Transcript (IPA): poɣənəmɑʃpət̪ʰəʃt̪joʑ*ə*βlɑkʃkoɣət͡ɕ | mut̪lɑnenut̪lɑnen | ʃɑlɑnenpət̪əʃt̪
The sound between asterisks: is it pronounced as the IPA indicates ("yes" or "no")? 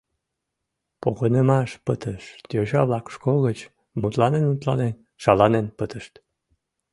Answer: no